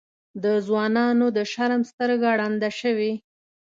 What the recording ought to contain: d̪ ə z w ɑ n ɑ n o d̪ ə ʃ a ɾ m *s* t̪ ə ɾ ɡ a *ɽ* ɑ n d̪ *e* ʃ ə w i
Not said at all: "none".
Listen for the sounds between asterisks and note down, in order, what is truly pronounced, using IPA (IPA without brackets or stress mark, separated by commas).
s, ɽ, a